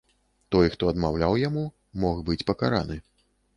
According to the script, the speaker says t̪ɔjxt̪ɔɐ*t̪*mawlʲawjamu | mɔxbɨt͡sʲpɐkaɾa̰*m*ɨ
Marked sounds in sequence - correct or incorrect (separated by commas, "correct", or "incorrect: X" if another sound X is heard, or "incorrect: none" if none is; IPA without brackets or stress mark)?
incorrect: d̪, incorrect: n